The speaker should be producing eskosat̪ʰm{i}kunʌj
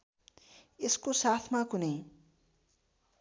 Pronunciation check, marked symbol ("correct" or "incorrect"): incorrect